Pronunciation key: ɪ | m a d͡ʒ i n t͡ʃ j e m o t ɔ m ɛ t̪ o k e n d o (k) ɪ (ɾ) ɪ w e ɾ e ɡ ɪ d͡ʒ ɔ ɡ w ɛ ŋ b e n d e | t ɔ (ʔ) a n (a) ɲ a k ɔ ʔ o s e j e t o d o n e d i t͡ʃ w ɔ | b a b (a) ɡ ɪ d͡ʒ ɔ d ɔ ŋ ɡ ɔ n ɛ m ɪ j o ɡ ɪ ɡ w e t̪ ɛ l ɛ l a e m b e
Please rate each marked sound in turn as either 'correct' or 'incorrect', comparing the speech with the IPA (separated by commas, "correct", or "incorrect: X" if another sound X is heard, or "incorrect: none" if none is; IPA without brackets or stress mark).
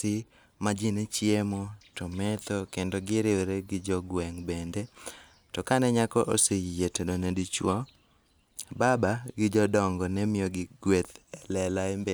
incorrect: ɡ, correct, incorrect: k, incorrect: ɛ, correct